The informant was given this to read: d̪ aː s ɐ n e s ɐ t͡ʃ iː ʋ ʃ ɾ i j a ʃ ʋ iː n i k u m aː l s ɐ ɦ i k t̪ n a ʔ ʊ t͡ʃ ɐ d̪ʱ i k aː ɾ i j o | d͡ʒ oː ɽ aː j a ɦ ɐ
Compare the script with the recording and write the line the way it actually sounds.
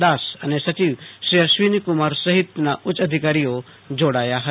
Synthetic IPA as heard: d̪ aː s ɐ n e s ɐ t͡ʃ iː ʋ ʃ ɾ i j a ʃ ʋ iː n i k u m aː ɾ s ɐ ɦ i t̪ n a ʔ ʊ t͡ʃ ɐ d̪ʱ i k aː ɾ i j o | d͡ʒ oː ɽ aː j a ɦ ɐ